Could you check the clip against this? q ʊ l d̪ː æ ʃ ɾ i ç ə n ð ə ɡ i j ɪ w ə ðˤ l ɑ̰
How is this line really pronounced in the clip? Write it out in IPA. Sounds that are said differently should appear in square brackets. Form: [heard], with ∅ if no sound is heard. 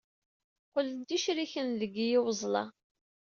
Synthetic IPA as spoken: q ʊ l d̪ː [i] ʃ ɾ i ç ə n ð ə ɡ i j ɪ w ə [zˤ] l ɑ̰